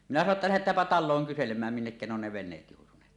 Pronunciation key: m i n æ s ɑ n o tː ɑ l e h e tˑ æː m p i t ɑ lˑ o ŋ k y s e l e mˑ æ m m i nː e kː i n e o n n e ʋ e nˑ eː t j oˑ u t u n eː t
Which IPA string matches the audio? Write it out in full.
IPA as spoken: m i n æ s ɑ n o tː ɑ l æ h e tˑ æː m p æ t ɑ lˑ oː ŋ k y s e l e mˑ æː m m i nː e kː æ n e o n n e ʋ e nˑ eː t j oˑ u t u n eː t